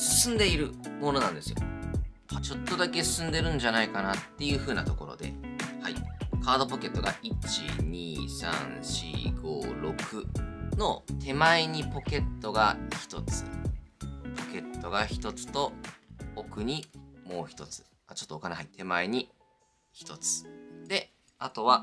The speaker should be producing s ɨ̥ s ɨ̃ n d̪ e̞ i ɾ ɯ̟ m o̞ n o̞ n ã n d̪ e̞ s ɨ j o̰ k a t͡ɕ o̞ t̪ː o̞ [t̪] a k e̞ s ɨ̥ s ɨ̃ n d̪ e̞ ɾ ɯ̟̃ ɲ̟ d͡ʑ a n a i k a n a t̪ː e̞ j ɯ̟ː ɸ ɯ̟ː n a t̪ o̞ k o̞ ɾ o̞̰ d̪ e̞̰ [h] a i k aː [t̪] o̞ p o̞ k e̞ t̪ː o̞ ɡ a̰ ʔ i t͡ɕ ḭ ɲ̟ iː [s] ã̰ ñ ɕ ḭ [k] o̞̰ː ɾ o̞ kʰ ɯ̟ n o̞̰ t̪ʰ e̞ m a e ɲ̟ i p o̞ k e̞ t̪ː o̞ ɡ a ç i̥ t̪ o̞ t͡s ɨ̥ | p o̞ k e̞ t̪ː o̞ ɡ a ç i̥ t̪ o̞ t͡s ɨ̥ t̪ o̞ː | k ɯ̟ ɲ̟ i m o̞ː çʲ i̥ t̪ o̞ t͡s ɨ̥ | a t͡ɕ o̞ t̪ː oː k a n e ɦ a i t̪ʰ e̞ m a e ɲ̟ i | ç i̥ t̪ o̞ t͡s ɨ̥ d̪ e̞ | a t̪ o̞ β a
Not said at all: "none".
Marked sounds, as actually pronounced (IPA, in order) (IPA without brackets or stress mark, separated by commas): d̪, h, d̪, s, ɡ